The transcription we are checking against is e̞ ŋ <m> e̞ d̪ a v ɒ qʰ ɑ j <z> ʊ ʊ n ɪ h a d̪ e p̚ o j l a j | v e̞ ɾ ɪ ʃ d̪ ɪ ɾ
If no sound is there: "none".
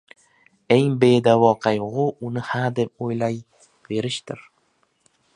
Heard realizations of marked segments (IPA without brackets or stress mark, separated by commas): b, ʁ